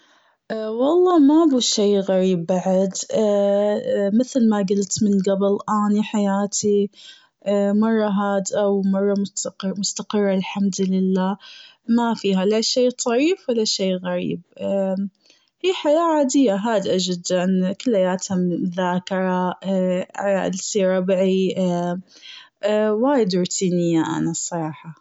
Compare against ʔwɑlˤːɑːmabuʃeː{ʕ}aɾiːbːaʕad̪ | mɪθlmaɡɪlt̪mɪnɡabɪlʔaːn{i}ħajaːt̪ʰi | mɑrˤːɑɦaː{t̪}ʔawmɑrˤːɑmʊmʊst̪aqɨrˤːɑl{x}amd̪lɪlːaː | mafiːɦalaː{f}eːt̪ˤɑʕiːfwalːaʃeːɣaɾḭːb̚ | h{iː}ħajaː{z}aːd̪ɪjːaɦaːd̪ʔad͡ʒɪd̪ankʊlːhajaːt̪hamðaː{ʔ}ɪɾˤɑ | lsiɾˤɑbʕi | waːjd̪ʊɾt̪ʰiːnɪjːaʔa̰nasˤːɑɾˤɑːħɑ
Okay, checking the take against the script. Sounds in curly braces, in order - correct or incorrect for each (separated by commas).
incorrect, correct, incorrect, incorrect, incorrect, correct, incorrect, incorrect